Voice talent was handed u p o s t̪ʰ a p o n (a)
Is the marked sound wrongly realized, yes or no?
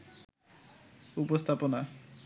no